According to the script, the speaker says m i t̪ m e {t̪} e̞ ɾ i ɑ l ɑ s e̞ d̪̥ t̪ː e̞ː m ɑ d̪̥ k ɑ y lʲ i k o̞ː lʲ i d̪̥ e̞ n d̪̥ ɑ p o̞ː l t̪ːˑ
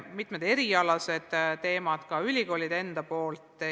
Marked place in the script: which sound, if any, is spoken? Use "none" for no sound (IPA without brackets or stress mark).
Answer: d̪